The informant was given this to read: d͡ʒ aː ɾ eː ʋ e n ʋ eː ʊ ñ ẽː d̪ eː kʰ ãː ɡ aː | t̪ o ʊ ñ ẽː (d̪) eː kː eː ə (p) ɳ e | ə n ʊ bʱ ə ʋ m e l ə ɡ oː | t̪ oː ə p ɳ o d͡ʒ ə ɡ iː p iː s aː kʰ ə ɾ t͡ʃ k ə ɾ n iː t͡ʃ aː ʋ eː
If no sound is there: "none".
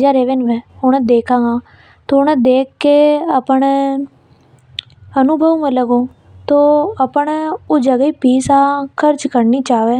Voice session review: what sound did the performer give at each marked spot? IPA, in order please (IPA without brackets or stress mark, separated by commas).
d̪, p